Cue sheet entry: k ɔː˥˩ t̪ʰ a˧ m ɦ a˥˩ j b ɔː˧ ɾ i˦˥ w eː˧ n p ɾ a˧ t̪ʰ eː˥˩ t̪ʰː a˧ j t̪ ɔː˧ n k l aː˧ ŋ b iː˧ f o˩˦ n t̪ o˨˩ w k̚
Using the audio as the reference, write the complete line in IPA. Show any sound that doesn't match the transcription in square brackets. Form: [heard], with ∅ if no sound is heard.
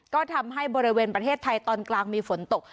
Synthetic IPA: k ɔː˥˩ t̪ʰ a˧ m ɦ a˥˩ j b ɔː˧ ɾ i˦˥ w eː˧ n p ɾ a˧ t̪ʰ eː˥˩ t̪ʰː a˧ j t̪ ɔː˧ n k l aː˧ ŋ [m] iː˧ f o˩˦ n t̪ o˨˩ [∅] k̚